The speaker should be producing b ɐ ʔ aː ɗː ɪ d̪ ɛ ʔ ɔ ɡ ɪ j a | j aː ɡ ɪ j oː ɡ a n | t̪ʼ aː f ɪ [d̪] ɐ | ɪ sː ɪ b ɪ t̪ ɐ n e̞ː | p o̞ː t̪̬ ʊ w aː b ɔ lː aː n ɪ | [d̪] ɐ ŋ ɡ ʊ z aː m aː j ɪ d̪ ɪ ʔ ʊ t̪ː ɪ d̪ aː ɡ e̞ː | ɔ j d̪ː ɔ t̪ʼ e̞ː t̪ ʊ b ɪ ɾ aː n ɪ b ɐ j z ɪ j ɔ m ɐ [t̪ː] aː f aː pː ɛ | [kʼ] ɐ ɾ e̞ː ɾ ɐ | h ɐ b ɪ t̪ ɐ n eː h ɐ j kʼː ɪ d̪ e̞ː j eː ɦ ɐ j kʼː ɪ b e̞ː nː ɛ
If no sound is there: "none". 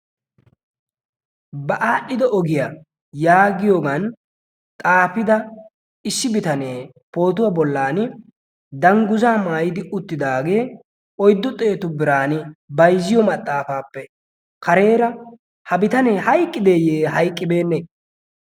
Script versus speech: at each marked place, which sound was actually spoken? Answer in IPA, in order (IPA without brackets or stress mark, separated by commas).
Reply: d̪, d̪, t̪ʼː, k